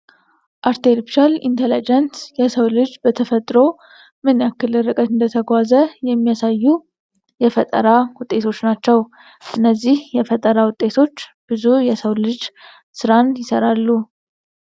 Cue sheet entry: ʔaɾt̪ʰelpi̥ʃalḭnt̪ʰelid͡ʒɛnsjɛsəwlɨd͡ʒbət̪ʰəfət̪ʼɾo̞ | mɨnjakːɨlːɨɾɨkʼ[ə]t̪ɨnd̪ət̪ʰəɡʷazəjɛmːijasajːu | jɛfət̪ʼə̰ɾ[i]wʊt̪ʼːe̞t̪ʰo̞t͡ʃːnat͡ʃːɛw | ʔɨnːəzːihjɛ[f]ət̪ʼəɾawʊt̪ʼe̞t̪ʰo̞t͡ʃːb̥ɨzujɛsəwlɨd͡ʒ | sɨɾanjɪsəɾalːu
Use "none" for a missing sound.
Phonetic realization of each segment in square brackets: ə, a, f

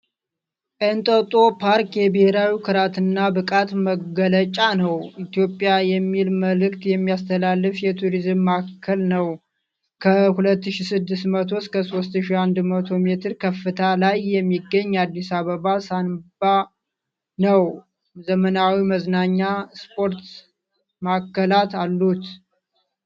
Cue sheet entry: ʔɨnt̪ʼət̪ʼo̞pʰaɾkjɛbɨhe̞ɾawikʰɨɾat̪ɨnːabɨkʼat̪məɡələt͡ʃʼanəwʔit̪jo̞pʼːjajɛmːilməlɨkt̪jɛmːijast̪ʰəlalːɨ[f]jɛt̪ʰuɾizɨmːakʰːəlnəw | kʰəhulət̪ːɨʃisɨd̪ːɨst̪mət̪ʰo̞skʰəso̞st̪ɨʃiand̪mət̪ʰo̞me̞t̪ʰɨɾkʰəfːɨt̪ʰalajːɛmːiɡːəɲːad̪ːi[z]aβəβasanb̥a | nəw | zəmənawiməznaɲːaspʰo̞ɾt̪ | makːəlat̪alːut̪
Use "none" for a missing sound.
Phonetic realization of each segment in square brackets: f, s

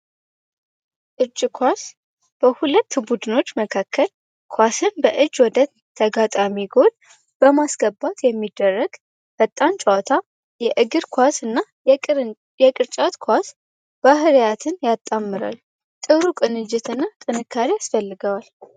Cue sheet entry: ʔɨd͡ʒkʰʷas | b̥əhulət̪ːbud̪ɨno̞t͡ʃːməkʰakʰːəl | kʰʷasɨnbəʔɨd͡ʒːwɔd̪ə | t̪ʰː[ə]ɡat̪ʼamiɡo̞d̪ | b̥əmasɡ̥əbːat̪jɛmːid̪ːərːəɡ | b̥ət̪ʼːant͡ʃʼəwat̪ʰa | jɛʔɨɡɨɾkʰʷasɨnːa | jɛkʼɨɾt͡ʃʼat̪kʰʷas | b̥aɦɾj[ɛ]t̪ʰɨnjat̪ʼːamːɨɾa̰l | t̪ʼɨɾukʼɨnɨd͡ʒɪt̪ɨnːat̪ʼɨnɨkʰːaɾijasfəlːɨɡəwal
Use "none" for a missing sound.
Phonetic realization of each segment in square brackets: ə, a

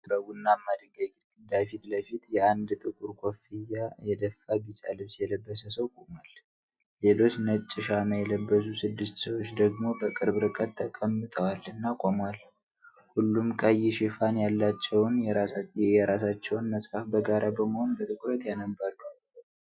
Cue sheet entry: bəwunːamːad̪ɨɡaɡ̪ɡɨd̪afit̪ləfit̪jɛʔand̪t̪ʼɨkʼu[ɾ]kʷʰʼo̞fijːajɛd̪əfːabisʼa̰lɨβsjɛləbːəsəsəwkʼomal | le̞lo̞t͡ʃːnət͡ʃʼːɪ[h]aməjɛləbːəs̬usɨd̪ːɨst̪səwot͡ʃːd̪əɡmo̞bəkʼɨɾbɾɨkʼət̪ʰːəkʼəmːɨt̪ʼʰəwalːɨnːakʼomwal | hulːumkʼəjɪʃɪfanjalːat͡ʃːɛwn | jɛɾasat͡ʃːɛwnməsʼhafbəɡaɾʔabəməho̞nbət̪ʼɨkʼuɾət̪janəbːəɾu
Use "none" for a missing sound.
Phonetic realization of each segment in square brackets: ɾ, ʃ

